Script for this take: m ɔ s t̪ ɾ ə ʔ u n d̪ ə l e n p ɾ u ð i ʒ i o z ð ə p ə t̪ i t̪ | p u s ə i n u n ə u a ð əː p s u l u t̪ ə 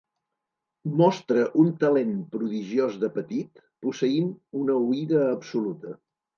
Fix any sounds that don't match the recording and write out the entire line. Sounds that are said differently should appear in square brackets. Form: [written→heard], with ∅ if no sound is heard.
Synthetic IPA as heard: m ɔ s t̪ ɾ ə ʔ u n [d̪→t̪] ə l e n p ɾ u ð i ʒ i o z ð ə p ə t̪ i t̪ | p u s ə i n u n ə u [a→i] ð əː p s u l u t̪ ə